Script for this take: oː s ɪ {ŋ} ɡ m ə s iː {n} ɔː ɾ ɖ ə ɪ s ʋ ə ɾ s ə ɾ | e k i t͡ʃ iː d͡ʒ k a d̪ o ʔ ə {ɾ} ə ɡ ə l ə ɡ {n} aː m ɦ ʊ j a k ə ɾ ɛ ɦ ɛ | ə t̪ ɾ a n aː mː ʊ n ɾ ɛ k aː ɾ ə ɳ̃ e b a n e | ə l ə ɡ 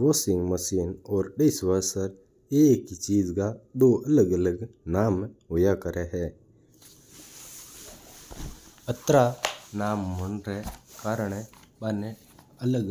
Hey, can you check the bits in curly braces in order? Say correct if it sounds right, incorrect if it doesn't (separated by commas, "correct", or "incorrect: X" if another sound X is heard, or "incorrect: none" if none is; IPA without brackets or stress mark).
correct, correct, incorrect: l, correct